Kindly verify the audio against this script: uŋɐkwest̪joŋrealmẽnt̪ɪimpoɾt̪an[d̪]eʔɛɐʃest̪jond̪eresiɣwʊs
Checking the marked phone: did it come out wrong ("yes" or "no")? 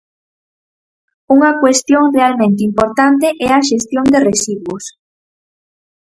yes